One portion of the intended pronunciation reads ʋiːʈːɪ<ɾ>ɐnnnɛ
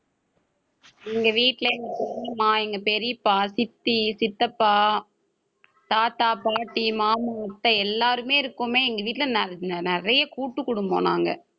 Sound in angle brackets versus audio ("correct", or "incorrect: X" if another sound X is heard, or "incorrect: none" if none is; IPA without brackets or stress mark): incorrect: l